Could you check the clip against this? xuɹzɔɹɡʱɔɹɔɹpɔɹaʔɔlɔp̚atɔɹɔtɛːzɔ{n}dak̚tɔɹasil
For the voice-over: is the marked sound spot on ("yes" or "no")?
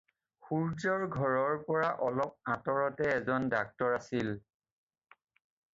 yes